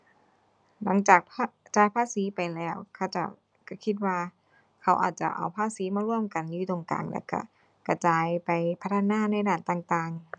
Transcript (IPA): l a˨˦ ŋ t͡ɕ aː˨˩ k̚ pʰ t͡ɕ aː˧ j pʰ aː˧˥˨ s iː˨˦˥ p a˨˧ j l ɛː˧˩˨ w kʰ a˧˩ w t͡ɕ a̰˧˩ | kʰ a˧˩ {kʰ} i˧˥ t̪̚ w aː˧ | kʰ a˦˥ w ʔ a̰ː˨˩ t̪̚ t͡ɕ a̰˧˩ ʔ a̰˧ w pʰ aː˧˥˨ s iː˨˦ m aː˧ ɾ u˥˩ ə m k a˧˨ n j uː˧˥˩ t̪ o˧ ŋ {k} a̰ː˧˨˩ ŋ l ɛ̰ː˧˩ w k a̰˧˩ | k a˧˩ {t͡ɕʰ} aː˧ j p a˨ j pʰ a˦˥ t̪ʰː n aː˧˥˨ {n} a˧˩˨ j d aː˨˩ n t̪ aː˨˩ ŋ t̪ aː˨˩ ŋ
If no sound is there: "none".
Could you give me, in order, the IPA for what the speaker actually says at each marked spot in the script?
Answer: kʰ, k, t͡ɕ, n

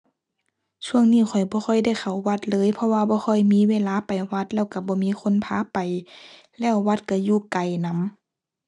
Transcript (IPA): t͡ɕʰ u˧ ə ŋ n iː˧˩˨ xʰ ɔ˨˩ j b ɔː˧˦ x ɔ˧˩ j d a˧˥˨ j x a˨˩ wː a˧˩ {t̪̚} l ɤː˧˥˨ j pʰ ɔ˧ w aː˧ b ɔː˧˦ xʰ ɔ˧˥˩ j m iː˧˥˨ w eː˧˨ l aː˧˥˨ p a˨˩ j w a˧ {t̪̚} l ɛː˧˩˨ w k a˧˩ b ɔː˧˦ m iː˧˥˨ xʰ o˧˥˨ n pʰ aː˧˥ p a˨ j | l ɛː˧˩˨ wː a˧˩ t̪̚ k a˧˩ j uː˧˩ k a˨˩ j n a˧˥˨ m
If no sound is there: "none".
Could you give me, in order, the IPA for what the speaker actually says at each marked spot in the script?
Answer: t̪̚, t̪̚

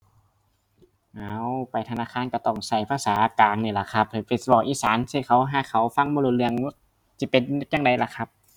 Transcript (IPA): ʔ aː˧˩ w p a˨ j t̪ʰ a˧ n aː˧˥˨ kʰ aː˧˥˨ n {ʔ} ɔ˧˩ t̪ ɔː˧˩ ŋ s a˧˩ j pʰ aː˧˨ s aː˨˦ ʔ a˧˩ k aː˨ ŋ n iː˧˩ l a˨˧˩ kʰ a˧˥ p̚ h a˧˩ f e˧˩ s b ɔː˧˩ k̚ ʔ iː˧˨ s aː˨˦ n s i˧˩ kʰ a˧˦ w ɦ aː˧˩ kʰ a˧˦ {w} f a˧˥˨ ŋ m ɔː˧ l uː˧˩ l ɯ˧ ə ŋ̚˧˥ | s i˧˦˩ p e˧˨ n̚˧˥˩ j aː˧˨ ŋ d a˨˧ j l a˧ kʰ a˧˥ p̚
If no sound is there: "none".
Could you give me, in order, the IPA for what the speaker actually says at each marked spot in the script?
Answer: k, w

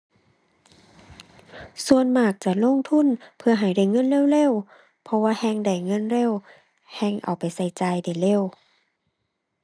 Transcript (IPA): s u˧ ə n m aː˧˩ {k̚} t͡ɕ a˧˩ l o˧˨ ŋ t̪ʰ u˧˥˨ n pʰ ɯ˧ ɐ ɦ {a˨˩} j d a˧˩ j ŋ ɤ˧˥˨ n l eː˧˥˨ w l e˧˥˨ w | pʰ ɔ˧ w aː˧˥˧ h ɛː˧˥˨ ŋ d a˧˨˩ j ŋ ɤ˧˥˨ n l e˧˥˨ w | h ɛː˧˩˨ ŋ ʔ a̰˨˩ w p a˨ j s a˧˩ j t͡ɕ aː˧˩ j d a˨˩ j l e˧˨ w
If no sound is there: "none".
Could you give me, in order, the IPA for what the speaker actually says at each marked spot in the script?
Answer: k̚, a˨˩

